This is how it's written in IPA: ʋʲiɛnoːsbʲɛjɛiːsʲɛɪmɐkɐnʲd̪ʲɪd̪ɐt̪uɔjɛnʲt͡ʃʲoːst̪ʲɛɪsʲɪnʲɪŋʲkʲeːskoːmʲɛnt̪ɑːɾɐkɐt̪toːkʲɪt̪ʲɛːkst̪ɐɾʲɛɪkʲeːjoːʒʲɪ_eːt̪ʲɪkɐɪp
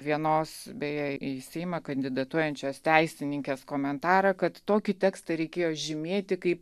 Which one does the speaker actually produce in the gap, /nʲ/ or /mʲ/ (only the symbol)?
mʲ